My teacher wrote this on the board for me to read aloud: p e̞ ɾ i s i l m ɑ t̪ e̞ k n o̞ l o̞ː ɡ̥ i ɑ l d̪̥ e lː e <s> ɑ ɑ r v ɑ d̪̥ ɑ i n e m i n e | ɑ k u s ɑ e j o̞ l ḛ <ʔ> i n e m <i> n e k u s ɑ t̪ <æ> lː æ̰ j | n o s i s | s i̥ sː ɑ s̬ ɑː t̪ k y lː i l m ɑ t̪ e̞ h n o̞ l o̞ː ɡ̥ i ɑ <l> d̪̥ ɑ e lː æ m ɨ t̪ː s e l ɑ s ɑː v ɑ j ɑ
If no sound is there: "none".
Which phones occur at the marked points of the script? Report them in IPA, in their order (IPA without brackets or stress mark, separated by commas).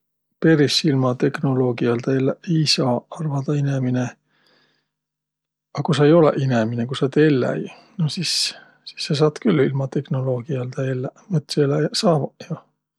s, ʔ, i, e, l